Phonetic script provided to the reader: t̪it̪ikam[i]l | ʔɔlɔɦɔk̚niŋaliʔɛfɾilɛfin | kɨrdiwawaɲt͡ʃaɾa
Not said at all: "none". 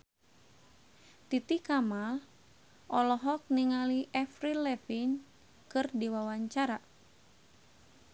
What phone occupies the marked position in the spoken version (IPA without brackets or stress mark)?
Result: a